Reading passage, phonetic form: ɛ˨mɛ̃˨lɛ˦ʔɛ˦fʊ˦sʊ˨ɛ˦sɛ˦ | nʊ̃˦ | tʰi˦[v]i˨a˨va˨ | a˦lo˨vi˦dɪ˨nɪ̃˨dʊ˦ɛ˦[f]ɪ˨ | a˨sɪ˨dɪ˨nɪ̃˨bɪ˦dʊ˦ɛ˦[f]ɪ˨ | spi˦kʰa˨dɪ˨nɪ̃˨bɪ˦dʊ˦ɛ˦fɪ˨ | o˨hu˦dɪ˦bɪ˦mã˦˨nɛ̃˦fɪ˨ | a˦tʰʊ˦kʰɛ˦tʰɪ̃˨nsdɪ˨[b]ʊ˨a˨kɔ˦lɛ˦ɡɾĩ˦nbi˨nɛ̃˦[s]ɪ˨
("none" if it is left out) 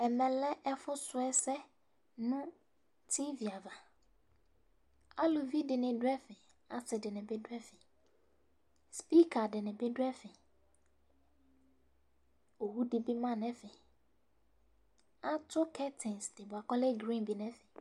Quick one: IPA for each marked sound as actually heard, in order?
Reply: v, f, f, b, f

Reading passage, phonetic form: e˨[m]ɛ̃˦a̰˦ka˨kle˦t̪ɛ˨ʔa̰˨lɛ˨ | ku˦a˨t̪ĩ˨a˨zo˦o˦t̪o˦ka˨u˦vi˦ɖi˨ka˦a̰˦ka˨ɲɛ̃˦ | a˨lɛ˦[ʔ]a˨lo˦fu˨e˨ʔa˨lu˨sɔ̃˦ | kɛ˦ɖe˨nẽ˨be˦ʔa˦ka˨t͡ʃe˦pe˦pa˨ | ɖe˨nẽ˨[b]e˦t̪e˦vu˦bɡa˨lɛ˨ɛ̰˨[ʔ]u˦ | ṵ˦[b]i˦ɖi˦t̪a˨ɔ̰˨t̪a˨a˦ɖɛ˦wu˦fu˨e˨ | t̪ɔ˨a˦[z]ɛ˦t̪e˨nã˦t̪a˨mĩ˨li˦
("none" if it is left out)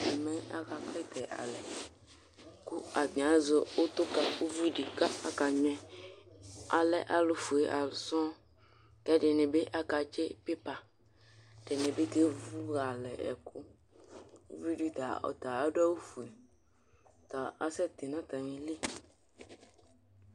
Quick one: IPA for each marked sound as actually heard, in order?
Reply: m, ʔ, b, k, v, s

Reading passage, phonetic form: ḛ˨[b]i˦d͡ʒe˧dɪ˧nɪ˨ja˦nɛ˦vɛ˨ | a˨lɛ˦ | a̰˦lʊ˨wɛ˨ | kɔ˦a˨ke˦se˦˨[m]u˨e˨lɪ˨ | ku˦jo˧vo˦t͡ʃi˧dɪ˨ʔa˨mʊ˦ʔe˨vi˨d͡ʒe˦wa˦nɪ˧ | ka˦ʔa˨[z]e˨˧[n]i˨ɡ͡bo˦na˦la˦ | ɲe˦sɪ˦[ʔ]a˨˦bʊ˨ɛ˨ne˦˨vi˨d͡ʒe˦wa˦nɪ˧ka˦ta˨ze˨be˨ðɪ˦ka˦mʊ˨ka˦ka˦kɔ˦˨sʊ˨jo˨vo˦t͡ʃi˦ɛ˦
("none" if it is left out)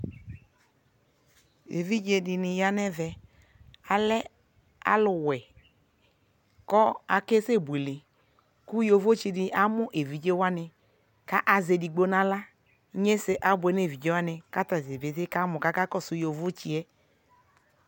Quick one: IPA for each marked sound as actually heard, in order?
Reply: v, b, z, d, ʔ

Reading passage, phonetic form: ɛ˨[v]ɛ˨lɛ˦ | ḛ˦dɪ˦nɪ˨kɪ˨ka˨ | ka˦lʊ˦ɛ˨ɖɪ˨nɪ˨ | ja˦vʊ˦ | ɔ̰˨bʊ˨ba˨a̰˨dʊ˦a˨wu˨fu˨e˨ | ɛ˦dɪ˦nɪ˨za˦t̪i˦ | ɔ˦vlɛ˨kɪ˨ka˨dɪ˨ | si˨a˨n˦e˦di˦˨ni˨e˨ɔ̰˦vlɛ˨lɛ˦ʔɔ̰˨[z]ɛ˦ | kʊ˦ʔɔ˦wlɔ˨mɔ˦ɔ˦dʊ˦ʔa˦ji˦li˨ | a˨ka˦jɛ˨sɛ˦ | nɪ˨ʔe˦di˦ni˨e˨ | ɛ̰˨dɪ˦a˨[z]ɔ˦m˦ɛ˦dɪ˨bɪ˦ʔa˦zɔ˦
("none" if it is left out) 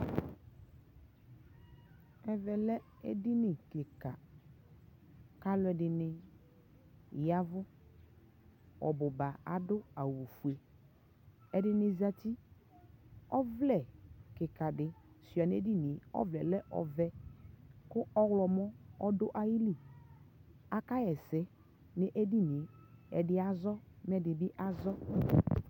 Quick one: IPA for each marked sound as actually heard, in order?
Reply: v, v, z

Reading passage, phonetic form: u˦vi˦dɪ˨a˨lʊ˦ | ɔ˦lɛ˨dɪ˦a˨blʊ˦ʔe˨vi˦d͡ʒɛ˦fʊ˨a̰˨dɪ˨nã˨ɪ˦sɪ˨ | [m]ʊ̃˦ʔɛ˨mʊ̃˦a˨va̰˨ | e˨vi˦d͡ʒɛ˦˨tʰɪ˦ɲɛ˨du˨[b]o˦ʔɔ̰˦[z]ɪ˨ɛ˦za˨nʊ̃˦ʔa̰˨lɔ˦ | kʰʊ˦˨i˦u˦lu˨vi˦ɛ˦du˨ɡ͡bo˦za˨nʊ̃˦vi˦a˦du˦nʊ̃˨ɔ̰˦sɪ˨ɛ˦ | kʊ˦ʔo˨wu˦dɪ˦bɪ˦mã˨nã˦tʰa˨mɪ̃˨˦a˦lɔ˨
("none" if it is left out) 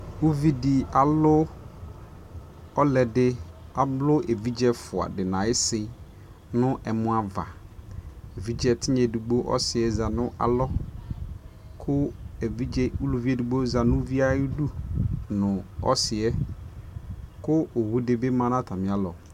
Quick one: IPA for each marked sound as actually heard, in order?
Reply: n, ɡ͡b, s

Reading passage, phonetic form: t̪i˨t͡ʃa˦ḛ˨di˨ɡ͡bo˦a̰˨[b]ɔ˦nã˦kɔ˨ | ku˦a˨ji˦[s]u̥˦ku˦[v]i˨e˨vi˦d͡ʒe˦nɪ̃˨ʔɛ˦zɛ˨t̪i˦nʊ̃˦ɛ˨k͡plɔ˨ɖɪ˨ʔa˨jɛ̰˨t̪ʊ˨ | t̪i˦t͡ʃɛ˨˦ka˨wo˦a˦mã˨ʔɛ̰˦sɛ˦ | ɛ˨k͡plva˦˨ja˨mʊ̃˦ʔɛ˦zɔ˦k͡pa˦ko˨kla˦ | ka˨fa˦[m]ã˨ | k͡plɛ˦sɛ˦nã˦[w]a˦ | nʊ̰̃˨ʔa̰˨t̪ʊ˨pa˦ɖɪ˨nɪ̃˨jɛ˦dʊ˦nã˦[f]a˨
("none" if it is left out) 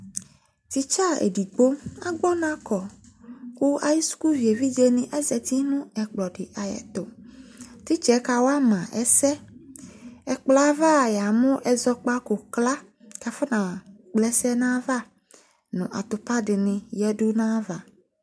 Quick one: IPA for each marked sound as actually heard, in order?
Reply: ɡ͡b, s, v, n, v, v

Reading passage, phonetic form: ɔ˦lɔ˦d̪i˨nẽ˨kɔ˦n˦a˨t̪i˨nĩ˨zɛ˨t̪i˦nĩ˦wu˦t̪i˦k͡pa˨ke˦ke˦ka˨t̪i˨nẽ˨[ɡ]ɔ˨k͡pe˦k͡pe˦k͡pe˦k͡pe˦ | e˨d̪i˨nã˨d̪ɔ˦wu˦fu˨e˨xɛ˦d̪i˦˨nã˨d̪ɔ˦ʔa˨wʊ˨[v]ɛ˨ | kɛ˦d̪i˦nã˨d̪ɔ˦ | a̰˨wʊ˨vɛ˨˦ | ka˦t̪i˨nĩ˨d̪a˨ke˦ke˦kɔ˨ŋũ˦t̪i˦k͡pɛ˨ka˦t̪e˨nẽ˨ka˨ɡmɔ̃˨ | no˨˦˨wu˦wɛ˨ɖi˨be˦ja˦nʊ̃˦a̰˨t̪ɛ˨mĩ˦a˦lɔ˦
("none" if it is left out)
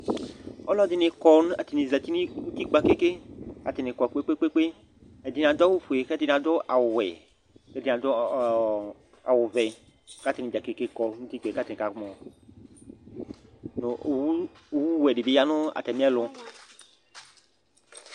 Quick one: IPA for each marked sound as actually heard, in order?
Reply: k, w

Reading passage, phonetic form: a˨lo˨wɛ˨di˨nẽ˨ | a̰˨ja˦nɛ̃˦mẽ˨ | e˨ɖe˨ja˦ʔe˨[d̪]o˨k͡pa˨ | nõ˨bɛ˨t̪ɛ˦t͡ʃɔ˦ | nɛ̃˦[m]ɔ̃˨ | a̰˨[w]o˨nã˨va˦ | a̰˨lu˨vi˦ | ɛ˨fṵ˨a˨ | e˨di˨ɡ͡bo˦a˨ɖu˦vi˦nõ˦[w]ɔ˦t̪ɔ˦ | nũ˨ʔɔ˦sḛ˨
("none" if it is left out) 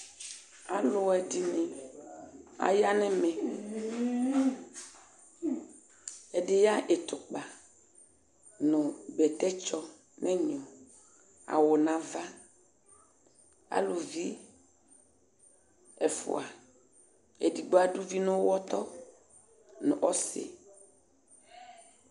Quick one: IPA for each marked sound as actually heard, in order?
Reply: t̪, ɲ, w, w

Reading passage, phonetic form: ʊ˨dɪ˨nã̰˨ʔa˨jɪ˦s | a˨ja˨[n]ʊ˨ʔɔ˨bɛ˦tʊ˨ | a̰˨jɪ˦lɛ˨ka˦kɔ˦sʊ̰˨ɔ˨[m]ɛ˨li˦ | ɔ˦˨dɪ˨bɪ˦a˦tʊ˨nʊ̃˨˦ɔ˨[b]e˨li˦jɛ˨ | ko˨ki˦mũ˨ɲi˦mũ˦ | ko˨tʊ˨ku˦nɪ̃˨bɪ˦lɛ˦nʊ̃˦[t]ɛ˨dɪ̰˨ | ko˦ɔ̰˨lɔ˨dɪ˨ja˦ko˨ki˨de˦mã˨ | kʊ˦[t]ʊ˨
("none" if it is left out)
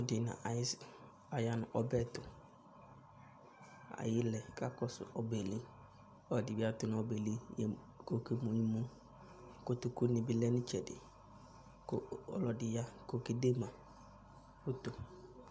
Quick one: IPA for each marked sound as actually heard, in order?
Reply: n, b, b, t͡ʃ, t

